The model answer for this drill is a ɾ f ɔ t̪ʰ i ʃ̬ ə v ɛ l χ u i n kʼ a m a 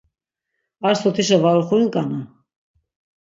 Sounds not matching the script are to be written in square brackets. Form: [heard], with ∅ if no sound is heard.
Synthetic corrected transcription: a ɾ [s] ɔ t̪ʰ i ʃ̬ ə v [a] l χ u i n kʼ a [n] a